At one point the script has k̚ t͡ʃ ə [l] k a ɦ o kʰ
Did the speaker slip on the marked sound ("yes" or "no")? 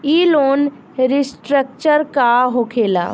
yes